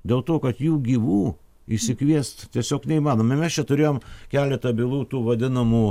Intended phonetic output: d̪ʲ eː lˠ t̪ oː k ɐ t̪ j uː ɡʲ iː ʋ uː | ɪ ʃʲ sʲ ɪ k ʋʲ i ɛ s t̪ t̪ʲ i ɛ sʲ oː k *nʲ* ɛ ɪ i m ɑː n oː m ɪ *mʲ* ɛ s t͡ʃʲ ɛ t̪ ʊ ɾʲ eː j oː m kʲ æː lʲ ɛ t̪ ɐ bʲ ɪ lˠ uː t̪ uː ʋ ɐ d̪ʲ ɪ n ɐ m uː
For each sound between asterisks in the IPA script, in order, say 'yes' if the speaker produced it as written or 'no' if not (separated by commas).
yes, yes